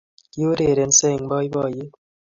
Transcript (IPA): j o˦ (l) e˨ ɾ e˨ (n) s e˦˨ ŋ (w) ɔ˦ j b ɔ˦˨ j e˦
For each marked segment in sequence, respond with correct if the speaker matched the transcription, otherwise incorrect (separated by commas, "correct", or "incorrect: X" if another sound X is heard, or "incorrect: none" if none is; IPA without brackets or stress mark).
incorrect: ɾ, correct, incorrect: b